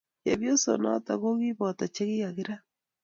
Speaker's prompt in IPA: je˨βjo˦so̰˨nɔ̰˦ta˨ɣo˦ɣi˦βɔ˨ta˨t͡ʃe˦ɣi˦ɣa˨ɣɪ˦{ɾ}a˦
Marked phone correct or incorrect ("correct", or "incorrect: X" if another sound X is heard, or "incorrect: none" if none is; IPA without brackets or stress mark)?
correct